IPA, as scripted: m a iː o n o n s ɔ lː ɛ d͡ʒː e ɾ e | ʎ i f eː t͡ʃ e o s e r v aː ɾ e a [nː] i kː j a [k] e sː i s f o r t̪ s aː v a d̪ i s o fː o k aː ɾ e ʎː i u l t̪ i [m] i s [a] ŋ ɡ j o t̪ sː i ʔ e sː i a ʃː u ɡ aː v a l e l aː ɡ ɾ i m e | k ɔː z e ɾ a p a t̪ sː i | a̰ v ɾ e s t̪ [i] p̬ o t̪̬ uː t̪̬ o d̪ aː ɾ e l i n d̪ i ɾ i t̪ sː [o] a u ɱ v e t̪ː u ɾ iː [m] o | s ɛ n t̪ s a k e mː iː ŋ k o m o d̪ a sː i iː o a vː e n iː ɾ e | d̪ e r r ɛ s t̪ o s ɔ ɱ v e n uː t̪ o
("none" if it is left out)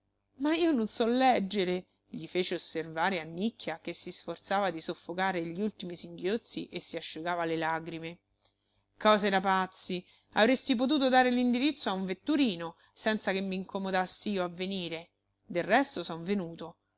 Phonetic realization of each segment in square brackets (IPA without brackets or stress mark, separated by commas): nː, k, m, i, i, o, n